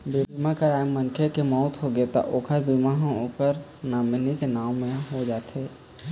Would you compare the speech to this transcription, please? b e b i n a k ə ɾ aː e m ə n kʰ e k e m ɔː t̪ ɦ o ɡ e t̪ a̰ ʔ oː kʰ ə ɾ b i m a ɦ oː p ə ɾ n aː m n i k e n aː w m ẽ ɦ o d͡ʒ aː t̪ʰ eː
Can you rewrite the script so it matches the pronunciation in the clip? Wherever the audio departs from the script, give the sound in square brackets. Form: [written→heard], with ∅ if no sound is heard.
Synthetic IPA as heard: b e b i [n→m] a k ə ɾ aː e m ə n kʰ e k e m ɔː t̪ ɦ o ɡ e t̪ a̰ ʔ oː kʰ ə ɾ b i m a ɦ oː p ə ɾ n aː m n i k e n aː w m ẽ ɦ o d͡ʒ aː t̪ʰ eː